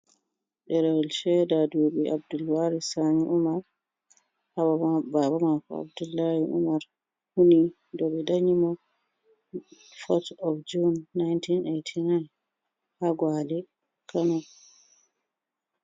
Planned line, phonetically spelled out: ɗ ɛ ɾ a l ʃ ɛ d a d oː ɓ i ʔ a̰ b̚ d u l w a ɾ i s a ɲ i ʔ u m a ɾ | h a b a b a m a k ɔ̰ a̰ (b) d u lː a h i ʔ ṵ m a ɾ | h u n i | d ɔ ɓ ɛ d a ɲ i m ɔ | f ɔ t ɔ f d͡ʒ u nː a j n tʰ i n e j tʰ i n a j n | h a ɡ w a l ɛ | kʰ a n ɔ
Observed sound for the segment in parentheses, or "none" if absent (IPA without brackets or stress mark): b